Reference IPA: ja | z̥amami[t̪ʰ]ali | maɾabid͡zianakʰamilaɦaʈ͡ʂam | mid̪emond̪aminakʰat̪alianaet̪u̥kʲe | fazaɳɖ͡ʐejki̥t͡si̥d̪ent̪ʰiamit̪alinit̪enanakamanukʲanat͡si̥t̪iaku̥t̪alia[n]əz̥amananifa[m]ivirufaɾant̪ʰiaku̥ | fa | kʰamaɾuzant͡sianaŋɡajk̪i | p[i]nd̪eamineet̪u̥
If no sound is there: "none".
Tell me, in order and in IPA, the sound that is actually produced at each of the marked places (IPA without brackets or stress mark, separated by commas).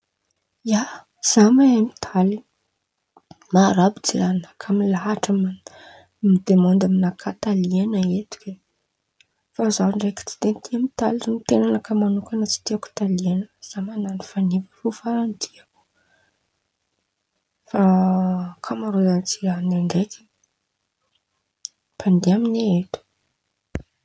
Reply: t̪ʰ, n, n, a